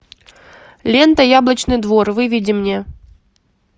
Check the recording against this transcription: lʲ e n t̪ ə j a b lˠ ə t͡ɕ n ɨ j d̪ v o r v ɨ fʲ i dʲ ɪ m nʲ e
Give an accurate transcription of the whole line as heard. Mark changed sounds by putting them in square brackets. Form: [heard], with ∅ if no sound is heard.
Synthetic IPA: lʲ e n t̪ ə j a b lˠ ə t͡ɕ n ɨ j d̪ v o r v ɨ [vʲ] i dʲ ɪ m nʲ e